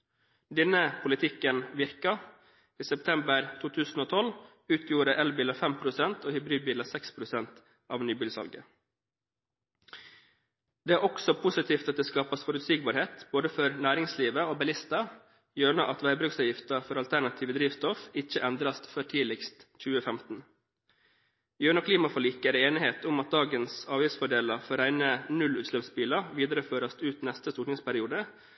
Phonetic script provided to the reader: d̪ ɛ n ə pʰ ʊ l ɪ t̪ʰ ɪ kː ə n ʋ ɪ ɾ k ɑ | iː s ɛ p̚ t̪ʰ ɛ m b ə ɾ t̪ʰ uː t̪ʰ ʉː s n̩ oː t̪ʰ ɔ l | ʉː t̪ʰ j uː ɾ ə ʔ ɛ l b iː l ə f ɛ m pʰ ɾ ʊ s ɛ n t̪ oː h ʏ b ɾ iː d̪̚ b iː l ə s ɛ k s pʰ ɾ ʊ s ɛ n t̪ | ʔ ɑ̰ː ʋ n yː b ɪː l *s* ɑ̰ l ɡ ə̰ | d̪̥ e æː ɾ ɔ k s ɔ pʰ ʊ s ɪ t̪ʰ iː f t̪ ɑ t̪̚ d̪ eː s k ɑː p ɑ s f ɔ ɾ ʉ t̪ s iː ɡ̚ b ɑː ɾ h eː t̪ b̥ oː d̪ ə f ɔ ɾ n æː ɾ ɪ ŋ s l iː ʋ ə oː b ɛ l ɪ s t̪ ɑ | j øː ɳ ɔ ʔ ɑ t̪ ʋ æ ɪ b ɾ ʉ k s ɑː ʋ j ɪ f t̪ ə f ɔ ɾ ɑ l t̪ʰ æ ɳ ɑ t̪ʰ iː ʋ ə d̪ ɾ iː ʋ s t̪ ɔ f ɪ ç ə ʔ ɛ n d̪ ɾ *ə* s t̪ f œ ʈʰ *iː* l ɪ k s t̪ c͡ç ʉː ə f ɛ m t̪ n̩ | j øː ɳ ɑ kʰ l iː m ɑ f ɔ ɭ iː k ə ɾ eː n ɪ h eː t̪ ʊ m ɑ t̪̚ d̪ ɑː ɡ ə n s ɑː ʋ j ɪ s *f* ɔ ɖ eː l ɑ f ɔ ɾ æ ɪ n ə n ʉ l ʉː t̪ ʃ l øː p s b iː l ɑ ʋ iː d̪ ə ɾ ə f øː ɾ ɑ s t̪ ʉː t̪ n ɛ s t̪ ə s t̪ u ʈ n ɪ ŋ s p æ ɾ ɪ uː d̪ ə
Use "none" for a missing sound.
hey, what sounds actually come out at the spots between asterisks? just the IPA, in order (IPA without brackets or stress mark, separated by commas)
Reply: s, ɑ, iː, f